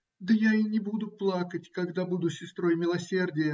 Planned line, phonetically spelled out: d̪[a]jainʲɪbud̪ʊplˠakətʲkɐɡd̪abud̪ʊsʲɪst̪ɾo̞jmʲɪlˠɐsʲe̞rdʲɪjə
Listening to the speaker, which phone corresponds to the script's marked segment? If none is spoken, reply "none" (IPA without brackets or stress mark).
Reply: ə